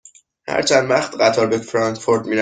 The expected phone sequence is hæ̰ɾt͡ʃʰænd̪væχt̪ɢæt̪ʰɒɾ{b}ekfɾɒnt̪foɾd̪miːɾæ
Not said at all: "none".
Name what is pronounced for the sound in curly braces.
b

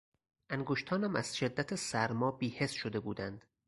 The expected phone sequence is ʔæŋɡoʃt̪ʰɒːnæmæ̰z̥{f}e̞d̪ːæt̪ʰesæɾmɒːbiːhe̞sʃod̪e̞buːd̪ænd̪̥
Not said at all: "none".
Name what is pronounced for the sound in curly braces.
ʃ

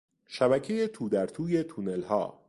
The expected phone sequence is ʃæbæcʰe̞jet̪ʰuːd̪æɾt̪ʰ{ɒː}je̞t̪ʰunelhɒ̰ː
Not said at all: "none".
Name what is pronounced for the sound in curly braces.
uː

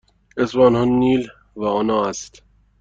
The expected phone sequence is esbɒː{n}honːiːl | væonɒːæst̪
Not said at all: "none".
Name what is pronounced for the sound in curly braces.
n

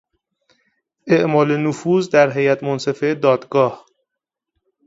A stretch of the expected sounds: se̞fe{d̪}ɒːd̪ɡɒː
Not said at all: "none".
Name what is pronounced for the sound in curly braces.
d̪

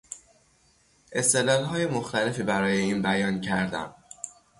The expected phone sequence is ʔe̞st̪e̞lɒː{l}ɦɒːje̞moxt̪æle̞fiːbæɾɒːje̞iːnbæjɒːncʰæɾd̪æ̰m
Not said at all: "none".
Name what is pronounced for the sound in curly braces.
l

